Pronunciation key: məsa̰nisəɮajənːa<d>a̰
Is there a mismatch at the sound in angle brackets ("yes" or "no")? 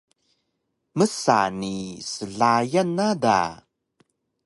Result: no